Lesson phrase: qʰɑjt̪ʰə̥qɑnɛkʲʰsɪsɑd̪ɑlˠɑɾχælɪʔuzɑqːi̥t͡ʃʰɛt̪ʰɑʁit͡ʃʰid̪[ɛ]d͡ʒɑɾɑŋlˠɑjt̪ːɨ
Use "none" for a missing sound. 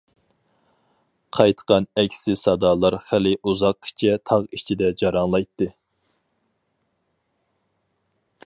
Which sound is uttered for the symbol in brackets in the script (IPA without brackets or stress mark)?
ɛ